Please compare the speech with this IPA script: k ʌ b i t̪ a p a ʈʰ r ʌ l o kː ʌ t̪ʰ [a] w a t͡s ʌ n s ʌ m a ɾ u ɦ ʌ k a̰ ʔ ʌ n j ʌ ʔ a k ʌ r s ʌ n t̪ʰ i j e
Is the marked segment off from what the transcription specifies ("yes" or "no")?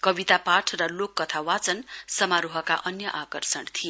no